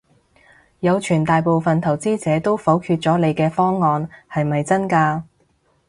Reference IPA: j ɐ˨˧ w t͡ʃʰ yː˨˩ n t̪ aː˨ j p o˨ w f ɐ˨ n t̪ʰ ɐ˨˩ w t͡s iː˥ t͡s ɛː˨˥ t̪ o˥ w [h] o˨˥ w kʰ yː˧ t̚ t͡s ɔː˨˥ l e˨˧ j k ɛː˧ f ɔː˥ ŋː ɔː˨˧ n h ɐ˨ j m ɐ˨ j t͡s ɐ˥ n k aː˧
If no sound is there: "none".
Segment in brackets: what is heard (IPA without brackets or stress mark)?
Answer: f